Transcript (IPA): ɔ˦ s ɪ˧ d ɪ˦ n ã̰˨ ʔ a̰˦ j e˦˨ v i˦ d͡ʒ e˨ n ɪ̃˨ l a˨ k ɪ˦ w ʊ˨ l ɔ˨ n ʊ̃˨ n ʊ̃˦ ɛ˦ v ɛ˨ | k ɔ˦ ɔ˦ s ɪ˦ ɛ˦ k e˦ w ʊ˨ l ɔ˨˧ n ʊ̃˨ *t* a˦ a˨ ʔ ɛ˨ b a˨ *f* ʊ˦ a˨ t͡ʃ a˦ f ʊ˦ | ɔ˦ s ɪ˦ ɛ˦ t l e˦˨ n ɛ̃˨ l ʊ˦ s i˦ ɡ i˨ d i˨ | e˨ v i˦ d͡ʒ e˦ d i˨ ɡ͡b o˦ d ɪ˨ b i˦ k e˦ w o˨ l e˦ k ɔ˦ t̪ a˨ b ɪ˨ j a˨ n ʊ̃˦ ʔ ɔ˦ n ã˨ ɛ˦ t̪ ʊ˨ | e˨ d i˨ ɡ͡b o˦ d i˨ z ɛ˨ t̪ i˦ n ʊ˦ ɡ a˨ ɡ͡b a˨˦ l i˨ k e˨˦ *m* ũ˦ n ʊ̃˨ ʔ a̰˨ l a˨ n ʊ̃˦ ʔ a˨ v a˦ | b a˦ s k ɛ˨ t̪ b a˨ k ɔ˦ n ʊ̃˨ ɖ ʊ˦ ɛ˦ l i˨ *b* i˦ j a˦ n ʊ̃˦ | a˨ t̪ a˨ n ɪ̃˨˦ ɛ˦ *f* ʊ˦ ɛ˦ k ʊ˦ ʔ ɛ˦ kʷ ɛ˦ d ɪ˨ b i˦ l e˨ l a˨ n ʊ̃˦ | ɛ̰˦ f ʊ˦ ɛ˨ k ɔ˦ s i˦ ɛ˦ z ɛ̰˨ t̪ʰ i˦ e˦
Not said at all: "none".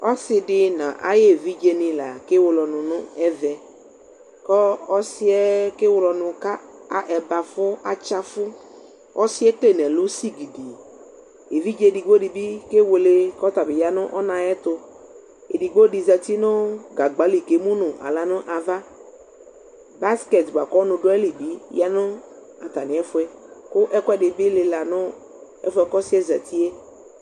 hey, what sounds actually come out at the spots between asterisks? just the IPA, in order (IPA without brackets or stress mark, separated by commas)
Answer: k, f, m, b, f